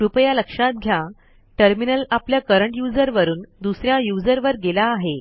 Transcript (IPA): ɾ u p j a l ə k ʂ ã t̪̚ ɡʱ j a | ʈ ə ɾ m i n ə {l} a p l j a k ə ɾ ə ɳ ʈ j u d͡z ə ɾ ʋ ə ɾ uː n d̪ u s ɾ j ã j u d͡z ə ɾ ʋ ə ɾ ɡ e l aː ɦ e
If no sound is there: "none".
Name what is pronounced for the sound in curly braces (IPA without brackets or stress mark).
l